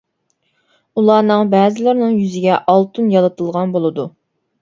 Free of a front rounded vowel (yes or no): no